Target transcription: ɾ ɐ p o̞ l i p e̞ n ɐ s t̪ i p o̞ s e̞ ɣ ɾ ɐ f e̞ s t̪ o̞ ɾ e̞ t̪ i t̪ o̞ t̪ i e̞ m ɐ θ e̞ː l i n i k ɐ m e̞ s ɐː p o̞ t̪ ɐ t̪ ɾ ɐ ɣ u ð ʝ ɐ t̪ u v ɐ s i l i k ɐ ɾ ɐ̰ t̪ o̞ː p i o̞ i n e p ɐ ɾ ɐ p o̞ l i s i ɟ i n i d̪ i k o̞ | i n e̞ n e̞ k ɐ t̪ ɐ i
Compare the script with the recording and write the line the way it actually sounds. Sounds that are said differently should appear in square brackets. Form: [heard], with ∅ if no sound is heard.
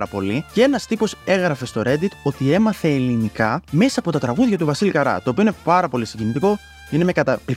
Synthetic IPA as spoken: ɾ ɐ p o̞ l i [c] e̞ n ɐ s t̪ i p o̞ s e̞ ɣ ɾ ɐ f e̞ s t̪ o̞ ɾ e̞ [d̪] i t̪ o̞ t̪ i e̞ m ɐ θ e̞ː l i n i k ɐ m e̞ s ɐː p o̞ t̪ ɐ t̪ ɾ ɐ ɣ u ð ʝ ɐ t̪ u v ɐ s i l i k ɐ ɾ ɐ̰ t̪ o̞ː p i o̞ i n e p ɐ ɾ ɐ p o̞ l i s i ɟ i n i [t̪] i k o̞ | i n e̞ [m] e̞ k ɐ t̪ ɐ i